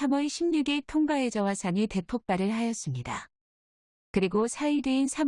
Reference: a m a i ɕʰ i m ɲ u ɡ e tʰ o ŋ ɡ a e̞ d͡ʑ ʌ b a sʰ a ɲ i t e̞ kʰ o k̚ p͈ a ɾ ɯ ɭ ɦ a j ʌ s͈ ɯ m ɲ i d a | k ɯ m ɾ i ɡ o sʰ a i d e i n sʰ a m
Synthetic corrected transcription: a m ʌ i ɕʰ i m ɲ u ɡ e tʰ o ŋ ɡ a e̞ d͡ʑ ʌ w a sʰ a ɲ i t e̞ pʰ o k̚ p͈ a ɾ ɯ ɭ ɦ a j ʌ s͈ ɯ m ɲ i d a | k ɯ ɾ i ɡ o sʰ a i d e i n sʰ a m